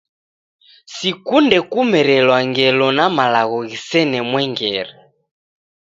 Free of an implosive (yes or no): yes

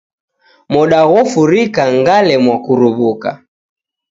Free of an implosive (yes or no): no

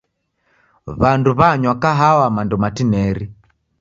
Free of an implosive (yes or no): yes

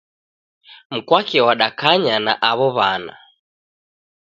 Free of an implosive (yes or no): no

